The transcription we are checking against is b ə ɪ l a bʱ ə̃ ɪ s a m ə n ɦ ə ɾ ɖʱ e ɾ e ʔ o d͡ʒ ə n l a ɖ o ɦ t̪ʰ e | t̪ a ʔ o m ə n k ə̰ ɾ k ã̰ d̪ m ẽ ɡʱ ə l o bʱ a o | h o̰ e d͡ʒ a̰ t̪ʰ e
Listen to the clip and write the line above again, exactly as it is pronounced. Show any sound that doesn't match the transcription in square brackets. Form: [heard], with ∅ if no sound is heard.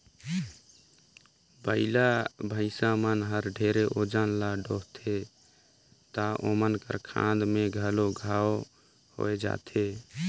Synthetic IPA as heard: b ə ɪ l a bʱ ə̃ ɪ s a m ə n ɦ ə ɾ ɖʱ e ɾ e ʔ o d͡ʒ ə n l a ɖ o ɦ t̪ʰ e | t̪ a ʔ o m ə n k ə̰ ɾ [kʰ] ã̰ d̪ m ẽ ɡʱ ə l o [ɡʱ] a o | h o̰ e d͡ʒ a̰ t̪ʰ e